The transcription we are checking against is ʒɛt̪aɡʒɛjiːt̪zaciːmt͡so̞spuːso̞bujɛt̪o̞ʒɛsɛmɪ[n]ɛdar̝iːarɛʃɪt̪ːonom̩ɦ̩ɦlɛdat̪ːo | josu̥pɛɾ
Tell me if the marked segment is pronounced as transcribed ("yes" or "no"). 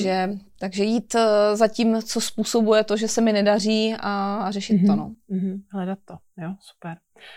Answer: yes